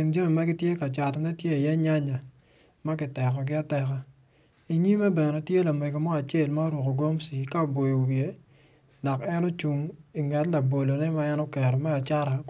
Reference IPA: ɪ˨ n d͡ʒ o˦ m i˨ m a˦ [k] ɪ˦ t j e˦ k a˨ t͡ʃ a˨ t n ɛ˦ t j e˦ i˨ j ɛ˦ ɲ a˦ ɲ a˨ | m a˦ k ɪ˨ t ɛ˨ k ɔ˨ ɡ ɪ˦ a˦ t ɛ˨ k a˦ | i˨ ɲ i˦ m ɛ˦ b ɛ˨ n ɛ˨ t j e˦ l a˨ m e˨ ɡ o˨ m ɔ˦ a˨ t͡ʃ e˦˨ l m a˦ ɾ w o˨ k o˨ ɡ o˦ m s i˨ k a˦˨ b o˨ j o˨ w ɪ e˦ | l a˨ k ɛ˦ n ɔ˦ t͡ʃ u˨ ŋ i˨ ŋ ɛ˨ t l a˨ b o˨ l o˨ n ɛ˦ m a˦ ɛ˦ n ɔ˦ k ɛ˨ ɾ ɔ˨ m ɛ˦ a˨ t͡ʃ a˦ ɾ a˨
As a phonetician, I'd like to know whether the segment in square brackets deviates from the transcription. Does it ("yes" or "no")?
yes